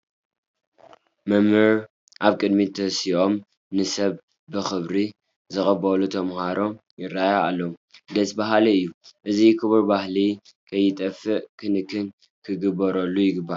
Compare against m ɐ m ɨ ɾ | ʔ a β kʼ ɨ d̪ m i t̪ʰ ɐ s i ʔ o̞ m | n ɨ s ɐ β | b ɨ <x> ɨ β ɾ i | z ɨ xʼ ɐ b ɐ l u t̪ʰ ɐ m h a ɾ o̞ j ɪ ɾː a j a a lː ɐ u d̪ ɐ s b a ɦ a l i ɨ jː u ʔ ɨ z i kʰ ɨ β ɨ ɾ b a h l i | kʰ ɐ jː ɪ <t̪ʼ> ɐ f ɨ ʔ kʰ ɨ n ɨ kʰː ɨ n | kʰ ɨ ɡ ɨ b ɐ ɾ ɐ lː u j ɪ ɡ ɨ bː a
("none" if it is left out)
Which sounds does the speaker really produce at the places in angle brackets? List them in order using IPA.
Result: x, t̪ʼ

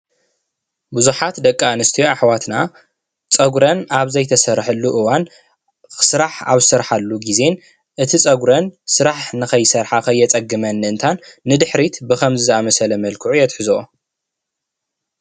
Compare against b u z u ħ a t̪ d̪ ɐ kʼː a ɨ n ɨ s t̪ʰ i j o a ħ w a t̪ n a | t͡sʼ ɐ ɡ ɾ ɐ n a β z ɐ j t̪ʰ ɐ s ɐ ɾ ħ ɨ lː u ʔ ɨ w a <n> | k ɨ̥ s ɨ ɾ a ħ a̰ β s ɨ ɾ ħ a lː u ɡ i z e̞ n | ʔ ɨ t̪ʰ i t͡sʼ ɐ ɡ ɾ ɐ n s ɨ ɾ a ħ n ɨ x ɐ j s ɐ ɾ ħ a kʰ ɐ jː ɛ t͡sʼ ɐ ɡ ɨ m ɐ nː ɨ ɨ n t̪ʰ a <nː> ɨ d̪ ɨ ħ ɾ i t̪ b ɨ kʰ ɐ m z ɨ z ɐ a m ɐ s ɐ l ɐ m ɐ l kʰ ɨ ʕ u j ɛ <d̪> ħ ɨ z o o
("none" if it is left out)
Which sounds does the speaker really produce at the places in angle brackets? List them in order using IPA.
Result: n, nː, t̪

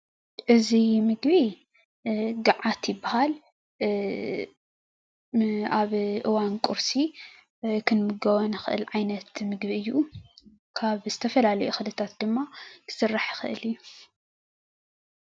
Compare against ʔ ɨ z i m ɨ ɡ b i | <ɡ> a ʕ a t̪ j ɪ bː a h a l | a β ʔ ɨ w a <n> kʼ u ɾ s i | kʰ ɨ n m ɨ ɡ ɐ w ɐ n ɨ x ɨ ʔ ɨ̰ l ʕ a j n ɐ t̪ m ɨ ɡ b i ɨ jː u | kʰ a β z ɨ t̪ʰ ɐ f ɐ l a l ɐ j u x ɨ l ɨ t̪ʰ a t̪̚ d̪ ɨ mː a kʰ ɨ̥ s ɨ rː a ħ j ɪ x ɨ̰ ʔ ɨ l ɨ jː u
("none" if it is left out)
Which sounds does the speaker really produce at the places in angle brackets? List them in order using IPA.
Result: ɡ, n

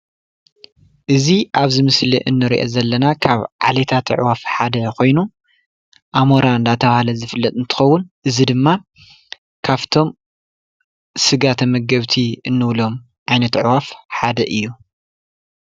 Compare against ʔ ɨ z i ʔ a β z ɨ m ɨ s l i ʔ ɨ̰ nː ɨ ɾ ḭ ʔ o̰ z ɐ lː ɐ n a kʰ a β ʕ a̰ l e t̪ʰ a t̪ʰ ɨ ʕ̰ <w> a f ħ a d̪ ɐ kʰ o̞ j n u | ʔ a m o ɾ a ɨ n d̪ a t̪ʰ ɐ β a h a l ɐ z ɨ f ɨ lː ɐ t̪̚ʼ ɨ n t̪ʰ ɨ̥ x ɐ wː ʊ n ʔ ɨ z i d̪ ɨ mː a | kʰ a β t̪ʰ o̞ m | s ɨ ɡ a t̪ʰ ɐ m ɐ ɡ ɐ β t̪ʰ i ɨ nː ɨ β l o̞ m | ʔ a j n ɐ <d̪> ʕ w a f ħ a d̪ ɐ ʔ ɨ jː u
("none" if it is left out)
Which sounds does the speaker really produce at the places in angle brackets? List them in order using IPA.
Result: w, t̪

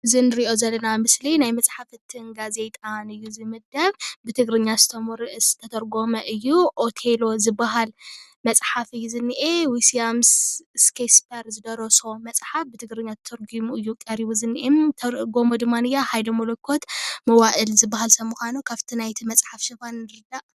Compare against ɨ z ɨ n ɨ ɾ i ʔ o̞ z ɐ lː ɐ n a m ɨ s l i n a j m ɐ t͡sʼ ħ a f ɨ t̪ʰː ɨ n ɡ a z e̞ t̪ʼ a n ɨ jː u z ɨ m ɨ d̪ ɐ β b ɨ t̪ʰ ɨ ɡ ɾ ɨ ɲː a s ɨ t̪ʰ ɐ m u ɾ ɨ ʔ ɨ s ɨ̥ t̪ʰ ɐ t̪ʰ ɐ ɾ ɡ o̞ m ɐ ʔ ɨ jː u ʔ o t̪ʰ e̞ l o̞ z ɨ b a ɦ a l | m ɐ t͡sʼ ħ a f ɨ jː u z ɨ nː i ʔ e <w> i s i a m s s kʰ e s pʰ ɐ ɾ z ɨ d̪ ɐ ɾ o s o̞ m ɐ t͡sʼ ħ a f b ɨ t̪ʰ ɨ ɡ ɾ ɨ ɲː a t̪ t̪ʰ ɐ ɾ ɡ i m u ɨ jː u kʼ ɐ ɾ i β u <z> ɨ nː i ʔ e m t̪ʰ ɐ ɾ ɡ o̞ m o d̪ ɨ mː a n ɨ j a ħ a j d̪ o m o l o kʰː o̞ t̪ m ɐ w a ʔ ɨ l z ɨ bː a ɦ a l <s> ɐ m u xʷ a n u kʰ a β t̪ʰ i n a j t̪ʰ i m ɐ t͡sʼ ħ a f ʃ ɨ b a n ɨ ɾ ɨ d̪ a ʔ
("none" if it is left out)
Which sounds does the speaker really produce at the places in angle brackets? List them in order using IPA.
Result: w, z, s

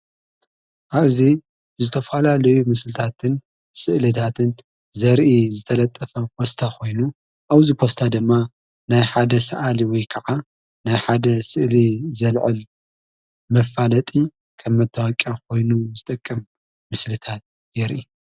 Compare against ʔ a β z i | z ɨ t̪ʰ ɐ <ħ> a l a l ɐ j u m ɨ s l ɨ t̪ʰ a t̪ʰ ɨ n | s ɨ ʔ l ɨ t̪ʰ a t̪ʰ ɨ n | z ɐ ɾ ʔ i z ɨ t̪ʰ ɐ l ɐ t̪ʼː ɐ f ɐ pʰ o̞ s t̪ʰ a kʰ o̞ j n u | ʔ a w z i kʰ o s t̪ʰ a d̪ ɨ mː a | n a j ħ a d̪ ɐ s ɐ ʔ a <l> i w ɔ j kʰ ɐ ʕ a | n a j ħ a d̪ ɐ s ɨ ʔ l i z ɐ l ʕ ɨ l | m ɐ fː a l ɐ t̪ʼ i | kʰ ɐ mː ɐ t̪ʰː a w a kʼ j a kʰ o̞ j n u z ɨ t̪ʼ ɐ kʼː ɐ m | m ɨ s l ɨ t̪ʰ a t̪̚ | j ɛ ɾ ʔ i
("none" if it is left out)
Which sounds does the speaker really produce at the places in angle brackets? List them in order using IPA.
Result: f, l

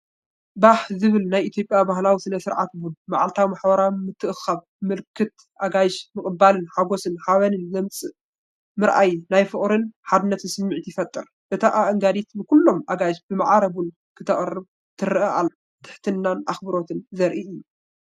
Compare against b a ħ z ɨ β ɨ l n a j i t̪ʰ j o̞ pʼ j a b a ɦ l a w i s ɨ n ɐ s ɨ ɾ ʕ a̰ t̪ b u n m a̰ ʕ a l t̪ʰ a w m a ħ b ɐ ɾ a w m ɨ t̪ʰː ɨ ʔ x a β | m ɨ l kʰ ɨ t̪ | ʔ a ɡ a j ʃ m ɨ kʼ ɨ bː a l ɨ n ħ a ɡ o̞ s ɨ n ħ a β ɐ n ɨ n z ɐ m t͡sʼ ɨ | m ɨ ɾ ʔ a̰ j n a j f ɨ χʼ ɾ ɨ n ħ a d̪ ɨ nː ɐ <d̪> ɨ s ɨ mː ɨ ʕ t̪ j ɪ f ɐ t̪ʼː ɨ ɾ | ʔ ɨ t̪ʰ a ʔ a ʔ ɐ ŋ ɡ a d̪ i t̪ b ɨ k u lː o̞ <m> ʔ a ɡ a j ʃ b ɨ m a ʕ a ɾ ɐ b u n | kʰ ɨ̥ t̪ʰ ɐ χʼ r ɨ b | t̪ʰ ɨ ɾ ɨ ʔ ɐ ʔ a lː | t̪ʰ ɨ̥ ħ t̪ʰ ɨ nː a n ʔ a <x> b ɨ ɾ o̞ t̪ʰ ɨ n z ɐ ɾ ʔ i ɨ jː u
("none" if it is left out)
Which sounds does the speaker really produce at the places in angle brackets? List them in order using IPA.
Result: t̪, m, x

